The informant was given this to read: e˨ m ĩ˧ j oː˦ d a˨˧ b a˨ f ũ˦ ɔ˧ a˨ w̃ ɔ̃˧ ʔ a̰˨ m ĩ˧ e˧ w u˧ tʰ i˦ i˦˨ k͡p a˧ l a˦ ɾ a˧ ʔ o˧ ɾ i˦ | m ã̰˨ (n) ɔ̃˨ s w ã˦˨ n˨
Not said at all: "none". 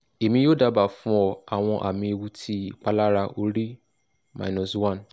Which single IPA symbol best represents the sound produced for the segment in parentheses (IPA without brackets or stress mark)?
n